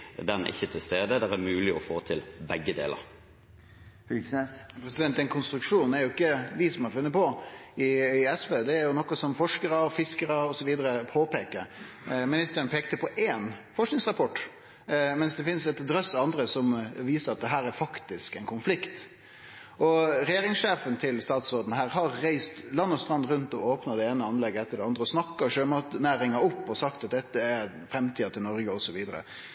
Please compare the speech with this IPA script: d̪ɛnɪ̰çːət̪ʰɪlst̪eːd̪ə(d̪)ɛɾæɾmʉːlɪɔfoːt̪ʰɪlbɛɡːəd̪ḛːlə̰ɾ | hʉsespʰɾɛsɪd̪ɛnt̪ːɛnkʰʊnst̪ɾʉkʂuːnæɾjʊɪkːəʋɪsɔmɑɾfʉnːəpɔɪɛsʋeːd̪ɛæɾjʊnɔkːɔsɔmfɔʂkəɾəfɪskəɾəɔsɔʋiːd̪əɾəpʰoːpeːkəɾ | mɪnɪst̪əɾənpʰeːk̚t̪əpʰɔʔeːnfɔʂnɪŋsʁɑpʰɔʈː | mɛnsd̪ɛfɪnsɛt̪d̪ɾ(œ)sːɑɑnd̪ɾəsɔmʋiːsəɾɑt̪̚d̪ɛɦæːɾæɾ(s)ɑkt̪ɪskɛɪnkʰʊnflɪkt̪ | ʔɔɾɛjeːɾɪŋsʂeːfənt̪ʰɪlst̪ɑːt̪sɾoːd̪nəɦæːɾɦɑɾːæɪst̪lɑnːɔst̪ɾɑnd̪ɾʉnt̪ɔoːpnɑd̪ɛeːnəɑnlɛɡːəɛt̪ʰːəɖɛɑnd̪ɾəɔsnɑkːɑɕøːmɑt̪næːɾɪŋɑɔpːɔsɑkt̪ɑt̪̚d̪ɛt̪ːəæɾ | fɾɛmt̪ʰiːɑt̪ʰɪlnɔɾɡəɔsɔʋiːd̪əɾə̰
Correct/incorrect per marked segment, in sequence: correct, correct, incorrect

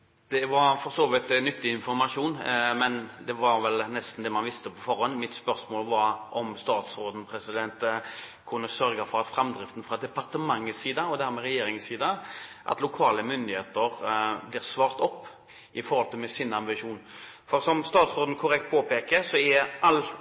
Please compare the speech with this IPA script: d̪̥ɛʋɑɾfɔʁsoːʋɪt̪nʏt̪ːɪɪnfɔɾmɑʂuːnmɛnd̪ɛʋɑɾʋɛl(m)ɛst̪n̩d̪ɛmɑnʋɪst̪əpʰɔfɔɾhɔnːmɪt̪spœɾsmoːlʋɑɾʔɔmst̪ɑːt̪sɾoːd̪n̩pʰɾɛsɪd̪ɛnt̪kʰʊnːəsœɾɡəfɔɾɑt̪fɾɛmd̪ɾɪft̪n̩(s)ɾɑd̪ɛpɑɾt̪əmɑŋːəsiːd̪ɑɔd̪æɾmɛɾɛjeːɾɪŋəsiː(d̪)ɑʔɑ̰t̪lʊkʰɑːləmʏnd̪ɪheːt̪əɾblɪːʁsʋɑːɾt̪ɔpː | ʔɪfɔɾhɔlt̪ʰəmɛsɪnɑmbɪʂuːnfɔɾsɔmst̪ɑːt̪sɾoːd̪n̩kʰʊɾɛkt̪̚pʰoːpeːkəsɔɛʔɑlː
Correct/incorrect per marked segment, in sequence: incorrect, incorrect, correct

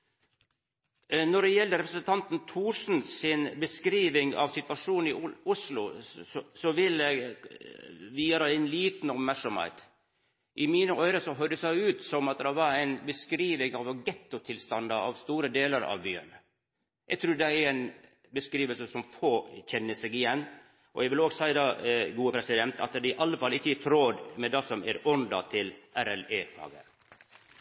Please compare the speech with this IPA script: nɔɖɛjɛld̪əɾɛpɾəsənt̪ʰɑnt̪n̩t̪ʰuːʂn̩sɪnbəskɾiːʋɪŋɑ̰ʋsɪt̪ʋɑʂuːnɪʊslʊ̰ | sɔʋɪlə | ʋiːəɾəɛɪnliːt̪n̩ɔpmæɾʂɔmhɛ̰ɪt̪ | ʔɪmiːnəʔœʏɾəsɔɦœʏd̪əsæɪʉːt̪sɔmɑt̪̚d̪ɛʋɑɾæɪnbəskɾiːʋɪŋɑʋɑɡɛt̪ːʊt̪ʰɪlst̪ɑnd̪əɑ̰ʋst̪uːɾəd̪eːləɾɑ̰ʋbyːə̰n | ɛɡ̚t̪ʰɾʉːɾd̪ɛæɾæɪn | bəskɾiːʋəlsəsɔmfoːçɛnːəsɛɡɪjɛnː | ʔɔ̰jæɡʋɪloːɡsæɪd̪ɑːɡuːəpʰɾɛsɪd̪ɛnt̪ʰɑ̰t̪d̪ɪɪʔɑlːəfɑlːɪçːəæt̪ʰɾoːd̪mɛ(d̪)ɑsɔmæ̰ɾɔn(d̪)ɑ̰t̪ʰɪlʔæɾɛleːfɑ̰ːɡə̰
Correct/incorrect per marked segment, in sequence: correct, correct

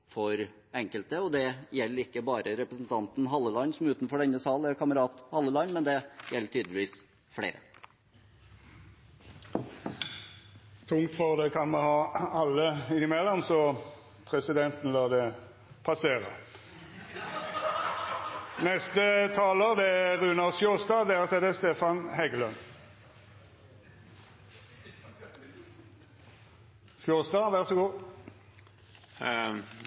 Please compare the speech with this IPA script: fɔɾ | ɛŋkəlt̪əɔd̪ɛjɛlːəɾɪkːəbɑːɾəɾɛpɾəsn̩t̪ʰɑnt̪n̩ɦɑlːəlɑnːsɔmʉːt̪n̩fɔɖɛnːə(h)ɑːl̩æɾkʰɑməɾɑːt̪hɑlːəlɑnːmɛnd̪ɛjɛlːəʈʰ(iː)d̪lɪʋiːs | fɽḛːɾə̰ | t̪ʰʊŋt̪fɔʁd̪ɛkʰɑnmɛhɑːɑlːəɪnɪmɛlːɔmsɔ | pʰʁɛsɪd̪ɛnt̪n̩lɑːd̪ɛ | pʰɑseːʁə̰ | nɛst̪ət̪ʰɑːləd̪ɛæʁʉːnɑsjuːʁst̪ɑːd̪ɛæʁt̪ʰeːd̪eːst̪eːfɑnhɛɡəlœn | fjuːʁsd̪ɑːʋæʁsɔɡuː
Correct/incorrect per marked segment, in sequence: incorrect, incorrect

